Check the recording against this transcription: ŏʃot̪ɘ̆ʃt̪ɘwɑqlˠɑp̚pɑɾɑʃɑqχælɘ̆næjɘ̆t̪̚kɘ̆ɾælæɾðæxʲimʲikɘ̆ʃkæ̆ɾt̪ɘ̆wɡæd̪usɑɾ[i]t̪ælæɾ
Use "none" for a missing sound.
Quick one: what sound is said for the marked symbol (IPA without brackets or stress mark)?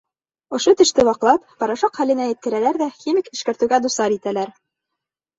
i